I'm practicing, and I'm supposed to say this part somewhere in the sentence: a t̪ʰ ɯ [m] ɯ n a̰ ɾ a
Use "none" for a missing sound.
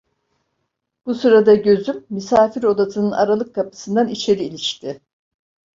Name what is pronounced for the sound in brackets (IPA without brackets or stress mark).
n